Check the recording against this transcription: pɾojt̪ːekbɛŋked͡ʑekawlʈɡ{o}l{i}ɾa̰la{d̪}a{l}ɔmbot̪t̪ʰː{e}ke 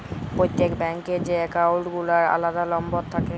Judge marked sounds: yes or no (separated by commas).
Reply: no, no, yes, yes, no